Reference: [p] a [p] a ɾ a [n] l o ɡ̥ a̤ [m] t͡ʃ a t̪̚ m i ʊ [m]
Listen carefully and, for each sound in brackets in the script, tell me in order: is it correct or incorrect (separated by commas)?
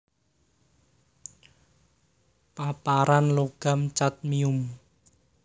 correct, correct, correct, correct, correct